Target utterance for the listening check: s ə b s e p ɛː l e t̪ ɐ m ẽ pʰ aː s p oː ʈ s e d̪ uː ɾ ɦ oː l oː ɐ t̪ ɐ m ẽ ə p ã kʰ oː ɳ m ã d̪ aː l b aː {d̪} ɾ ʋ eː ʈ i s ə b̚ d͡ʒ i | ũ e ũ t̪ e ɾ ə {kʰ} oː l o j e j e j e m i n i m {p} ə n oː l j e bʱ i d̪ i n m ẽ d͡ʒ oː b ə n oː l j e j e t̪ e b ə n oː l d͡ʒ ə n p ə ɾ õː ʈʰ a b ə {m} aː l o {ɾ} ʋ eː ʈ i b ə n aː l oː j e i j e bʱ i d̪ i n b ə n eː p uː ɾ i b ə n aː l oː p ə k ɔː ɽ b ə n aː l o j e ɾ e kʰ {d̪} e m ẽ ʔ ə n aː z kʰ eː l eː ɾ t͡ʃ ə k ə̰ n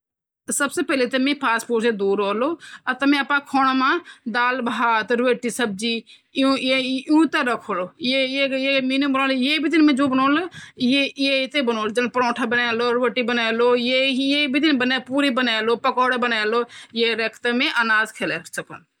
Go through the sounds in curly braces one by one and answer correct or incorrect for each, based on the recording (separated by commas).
incorrect, correct, incorrect, incorrect, correct, incorrect